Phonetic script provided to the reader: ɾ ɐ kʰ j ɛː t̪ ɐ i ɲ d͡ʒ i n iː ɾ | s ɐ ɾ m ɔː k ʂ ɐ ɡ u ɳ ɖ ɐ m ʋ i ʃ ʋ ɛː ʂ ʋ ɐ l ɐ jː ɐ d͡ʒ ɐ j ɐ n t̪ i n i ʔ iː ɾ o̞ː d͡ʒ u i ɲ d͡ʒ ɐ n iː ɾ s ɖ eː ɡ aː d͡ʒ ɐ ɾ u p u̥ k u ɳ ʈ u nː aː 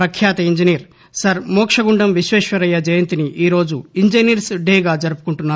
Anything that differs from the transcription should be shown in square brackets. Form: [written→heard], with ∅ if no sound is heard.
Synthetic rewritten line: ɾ ɐ kʰ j [ɛː→aː] t̪ ɐ i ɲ d͡ʒ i n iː ɾ | s ɐ ɾ m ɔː k ʂ ɐ ɡ u ɳ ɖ ɐ m ʋ i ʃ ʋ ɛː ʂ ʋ ɐ [l→ɾ] ɐ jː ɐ d͡ʒ ɐ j ɐ n t̪ i n i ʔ iː ɾ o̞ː d͡ʒ u i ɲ d͡ʒ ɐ n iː ɾ s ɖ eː ɡ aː d͡ʒ ɐ ɾ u p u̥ k u ɳ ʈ u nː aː